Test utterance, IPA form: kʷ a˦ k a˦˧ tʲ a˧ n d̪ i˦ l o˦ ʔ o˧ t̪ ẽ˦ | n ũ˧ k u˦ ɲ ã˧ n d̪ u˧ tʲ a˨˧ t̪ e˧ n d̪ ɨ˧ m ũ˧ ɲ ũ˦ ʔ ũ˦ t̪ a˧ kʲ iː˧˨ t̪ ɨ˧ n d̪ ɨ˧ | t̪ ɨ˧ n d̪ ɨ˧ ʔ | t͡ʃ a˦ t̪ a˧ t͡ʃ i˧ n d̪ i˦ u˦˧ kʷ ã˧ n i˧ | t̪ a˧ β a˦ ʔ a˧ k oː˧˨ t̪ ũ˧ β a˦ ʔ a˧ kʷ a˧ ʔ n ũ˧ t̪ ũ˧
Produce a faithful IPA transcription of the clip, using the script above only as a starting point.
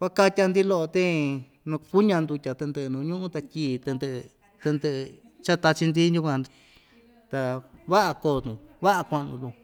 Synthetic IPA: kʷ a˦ k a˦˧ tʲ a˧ n d̪ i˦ l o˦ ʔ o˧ t̪ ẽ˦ | n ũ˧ k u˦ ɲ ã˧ n d̪ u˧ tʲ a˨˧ t̪ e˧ n d̪ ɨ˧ n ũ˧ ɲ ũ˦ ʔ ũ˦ t̪ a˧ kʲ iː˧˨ t̪ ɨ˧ n d̪ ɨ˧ | t̪ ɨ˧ n d̪ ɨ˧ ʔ | t͡ʃ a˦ t̪ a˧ t͡ʃ i˧ n d̪ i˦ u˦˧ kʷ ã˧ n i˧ | t̪ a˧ β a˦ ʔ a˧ k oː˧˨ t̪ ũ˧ β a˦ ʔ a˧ kʷ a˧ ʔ n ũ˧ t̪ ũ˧